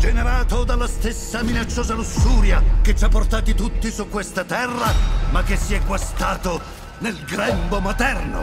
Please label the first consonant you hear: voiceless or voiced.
voiced